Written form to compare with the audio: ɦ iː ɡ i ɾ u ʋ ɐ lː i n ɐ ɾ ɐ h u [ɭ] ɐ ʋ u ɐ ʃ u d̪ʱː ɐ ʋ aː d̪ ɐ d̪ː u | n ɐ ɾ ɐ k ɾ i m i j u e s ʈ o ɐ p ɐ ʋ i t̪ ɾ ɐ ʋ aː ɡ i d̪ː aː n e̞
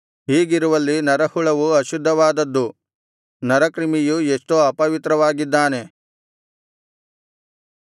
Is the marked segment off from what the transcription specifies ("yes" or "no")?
no